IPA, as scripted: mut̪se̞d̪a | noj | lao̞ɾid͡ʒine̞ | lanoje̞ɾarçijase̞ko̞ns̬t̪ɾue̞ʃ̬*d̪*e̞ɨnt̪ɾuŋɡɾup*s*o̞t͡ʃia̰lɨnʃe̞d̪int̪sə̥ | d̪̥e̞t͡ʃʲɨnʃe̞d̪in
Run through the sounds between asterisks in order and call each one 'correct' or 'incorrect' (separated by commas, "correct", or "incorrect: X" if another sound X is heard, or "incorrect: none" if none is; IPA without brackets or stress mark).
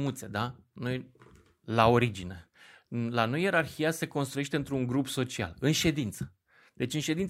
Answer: incorrect: t̪, correct